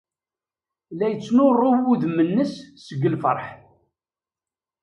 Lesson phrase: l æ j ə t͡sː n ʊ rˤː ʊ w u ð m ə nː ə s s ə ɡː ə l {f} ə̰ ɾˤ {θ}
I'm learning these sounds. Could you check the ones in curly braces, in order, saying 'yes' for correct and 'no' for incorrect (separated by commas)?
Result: yes, no